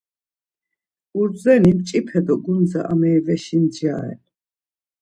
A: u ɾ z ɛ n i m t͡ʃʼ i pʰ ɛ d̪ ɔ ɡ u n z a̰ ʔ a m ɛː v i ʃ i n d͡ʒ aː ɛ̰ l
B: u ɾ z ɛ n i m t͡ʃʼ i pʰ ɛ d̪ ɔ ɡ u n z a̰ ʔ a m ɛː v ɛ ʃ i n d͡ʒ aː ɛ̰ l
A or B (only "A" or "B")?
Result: B